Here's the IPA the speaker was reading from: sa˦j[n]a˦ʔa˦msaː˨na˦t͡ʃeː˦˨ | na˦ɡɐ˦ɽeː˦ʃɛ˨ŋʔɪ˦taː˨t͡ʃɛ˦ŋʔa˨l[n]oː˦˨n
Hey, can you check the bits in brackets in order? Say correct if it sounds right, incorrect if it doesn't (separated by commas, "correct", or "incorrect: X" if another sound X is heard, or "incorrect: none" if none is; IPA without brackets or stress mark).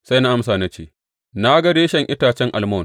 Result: correct, incorrect: m